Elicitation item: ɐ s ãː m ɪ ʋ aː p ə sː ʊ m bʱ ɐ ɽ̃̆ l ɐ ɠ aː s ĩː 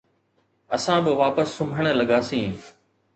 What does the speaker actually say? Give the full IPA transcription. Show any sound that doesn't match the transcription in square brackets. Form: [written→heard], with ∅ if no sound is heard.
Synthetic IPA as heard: ɐ s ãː [m→b] ɪ ʋ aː p ə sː ʊ m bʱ [ɐ→ə] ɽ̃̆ l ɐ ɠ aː s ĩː